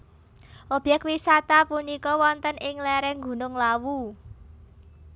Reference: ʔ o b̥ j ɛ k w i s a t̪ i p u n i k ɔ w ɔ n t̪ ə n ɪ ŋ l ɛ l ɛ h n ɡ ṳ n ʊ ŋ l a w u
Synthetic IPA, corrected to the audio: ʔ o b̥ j ɛ k w i s a t̪ a p u n i k ɔ w ɔ n t̪ ə n ɪ ŋ l ɛ ɾ ɛ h ŋ ɡ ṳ n ʊ ŋ l a w u